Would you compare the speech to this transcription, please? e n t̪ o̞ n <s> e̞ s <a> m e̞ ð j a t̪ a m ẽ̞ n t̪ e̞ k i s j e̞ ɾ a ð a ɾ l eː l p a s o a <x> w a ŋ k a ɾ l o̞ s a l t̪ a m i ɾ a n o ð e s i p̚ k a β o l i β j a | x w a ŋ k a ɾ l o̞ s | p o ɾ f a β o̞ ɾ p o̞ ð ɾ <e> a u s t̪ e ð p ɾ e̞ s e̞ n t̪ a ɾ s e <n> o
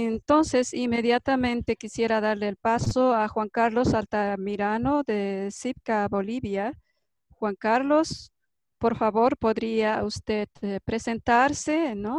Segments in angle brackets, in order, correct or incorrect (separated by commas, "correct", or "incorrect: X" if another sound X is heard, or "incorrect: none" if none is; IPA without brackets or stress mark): correct, incorrect: i, correct, incorrect: i, correct